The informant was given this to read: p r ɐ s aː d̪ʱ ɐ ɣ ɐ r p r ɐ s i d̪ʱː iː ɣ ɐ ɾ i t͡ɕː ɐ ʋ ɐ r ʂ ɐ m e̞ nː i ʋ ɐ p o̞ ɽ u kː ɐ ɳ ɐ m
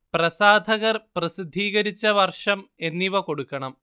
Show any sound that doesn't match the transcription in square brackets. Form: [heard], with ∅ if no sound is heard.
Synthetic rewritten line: p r ɐ s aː d̪ʱ ɐ ɣ ɐ r p r ɐ s i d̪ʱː iː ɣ ɐ ɾ i t͡ɕː ɐ ʋ ɐ r ʂ ɐ m e̞ nː i ʋ ɐ [k] o̞ ɽ u kː ɐ ɳ ɐ m